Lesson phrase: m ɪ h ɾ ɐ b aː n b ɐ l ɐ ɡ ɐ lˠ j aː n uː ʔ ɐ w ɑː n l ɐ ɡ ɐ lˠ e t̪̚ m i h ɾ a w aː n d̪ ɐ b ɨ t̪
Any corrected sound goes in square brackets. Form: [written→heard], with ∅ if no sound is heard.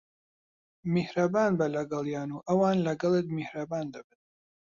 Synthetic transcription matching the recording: m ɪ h ɾ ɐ b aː n b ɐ l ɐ ɡ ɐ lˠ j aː n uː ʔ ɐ w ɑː n l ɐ ɡ ɐ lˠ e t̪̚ m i h ɾ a [w→b] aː n d̪ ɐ b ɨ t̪